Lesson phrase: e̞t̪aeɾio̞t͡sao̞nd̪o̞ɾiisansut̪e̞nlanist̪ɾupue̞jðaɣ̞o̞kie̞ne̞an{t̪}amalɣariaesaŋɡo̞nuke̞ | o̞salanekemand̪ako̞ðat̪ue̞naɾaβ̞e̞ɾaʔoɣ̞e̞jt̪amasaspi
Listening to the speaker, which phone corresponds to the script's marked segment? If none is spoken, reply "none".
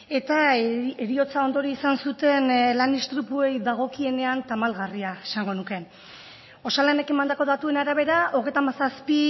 t̪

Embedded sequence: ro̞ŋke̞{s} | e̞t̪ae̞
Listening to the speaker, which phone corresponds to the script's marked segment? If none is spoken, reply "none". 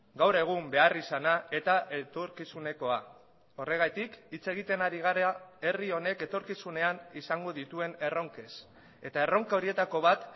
s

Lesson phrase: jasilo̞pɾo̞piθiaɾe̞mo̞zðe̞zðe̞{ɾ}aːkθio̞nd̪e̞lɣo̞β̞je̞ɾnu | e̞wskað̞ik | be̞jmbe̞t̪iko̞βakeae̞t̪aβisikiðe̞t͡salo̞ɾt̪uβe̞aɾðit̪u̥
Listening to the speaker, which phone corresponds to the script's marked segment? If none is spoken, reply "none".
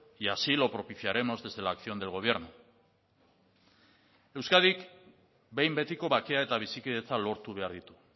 l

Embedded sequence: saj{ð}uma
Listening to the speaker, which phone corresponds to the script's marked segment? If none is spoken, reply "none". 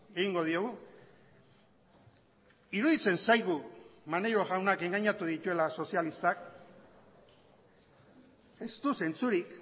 ɣ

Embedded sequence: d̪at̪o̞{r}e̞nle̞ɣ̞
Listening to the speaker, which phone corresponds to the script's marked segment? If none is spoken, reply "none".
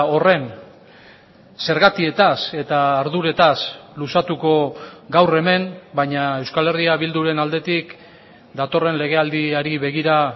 r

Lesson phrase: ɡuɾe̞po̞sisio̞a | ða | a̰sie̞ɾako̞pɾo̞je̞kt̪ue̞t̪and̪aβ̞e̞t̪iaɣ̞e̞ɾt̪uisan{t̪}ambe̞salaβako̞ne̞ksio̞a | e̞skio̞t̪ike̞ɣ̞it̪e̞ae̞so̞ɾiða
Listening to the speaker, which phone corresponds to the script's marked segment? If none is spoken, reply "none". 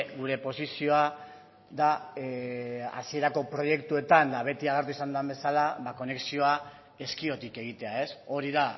d̪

